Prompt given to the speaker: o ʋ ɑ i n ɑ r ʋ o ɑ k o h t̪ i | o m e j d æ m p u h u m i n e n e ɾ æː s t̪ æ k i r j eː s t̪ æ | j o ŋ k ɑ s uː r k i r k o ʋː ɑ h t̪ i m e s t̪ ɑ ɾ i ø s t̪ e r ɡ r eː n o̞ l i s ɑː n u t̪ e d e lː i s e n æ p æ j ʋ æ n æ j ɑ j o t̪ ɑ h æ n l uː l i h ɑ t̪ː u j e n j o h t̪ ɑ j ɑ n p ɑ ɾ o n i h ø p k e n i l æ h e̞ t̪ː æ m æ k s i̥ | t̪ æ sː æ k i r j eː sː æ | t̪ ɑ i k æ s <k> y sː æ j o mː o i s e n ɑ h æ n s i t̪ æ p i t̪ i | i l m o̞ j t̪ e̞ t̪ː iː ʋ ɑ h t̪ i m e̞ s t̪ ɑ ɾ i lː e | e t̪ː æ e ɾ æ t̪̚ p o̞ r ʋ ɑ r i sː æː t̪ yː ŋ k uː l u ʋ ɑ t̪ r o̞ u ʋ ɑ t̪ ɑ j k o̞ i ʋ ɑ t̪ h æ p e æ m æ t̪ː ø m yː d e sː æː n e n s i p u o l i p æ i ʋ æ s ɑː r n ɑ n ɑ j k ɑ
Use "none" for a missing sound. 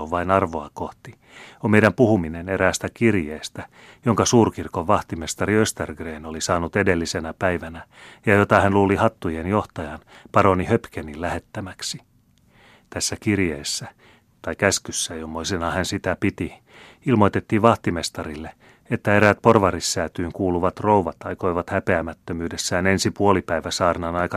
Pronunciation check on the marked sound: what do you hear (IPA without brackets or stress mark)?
k